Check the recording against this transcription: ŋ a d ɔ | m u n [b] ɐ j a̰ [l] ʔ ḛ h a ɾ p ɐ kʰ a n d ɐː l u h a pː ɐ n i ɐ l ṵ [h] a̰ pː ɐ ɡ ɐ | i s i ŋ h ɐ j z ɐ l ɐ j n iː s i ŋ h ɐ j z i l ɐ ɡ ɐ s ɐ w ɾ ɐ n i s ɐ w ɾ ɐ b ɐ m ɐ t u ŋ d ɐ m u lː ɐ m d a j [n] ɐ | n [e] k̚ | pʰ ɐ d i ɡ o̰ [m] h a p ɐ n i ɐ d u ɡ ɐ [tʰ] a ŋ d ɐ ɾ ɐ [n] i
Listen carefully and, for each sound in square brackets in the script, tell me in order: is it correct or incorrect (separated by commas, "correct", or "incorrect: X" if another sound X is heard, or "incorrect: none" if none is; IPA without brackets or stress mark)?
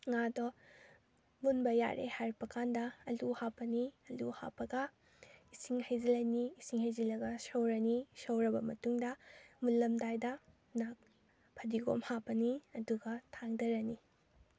correct, incorrect: ɾ, correct, incorrect: d, incorrect: a, correct, correct, correct